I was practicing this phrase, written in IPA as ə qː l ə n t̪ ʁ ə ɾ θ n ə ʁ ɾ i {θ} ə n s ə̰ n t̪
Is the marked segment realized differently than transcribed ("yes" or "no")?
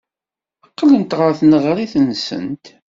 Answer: no